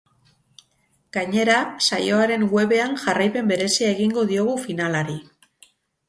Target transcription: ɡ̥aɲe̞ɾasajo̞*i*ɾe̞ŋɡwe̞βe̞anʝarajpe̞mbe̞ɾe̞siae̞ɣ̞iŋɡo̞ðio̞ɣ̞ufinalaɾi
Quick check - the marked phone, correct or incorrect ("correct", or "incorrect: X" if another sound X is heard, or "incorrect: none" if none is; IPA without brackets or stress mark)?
incorrect: a